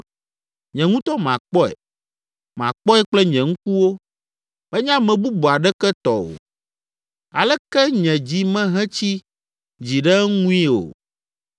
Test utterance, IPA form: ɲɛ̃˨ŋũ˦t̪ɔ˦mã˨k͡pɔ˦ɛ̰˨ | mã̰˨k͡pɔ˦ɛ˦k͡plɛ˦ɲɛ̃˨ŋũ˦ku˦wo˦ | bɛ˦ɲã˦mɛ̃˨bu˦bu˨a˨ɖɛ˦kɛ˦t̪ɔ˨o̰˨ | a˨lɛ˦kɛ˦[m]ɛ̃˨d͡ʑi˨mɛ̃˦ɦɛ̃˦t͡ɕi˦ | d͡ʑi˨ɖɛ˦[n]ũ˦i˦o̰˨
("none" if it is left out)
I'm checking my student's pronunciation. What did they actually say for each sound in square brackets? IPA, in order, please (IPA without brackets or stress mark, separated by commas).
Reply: ɲ, ŋ